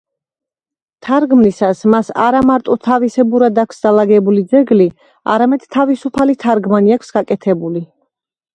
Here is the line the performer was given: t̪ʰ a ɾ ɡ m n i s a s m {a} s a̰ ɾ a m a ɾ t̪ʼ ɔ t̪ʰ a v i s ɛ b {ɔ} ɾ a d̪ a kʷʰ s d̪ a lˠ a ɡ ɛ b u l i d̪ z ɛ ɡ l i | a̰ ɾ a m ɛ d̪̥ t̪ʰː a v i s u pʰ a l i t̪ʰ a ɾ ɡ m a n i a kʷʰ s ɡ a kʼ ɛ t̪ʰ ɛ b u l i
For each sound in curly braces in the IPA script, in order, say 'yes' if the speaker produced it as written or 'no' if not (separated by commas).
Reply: yes, no